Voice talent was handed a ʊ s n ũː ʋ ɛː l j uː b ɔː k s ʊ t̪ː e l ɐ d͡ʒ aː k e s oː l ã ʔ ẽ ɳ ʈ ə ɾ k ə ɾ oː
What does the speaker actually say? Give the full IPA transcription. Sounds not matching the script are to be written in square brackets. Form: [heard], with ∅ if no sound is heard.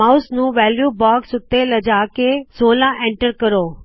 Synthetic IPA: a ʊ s n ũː ʋ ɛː l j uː b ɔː k s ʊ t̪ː e l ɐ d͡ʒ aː k e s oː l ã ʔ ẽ ɳ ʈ ə ɾ k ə ɾ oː